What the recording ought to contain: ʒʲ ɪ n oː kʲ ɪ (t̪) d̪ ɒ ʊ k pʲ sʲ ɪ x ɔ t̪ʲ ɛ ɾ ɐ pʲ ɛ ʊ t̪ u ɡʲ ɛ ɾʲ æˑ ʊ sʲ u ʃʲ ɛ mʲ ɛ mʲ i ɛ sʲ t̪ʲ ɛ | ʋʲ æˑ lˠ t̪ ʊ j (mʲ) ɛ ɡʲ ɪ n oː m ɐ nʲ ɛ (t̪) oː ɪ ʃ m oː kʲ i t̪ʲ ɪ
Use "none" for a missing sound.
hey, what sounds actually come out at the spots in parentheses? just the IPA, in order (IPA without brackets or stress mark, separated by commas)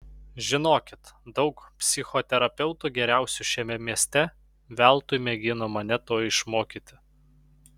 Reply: t̪, mʲ, t̪